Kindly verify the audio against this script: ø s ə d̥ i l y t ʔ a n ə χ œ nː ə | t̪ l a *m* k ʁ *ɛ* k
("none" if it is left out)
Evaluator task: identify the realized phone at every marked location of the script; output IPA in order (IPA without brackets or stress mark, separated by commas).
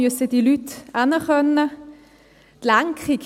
ŋ, i